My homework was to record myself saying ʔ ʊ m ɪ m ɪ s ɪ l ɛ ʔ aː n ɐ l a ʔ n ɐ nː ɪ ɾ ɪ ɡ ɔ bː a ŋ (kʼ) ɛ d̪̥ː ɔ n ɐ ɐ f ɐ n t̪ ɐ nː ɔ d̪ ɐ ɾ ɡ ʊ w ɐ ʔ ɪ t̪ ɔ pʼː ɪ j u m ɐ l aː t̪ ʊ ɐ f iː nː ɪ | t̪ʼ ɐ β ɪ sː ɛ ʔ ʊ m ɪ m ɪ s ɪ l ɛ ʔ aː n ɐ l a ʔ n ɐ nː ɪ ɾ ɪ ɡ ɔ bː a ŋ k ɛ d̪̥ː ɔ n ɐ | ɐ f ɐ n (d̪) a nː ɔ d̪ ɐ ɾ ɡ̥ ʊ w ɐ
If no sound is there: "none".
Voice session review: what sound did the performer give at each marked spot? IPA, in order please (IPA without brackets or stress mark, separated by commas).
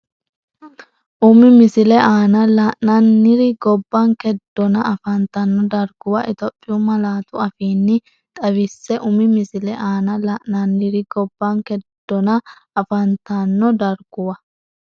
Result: k, t̪